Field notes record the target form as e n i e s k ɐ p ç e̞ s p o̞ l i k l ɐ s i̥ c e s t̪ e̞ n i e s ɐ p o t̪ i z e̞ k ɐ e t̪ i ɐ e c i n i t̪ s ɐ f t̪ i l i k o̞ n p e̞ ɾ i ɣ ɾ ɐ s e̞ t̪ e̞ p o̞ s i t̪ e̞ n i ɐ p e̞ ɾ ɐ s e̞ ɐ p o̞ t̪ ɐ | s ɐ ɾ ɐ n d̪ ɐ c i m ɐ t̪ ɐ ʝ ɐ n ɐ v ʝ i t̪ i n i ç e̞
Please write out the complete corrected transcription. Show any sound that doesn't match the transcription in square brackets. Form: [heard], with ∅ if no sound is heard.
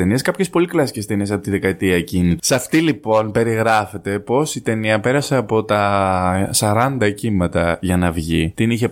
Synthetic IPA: e n i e s k ɐ p ç e̞ s p o̞ l i k l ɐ s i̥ c e s t̪ e̞ n i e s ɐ p o t̪ i [ð] e̞ k ɐ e t̪ i ɐ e c i n i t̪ s ɐ f t̪ i l i [p] o̞ n p e̞ ɾ i ɣ ɾ ɐ [f] e̞ t̪ e̞ p o̞ s i t̪ e̞ n i ɐ p e̞ ɾ ɐ s e̞ ɐ p o̞ t̪ ɐ | s ɐ ɾ ɐ n d̪ ɐ c i m ɐ t̪ ɐ ʝ ɐ n ɐ v ʝ i t̪ i n i ç e̞